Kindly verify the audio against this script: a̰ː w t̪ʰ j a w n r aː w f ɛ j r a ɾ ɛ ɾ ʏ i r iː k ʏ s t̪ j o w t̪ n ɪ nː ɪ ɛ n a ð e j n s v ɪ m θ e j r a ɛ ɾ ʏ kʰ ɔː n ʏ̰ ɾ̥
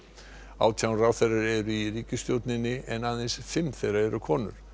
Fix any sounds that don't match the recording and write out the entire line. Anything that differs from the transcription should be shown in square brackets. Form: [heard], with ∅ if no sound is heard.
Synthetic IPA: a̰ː w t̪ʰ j a w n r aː w [θ] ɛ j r a ɾ ɛ ɾ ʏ i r iː [c] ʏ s t̪ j o w t̪ n ɪ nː ɪ ɛ n a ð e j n s [f] ɪ m θ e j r a ɛ ɾ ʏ kʰ ɔː n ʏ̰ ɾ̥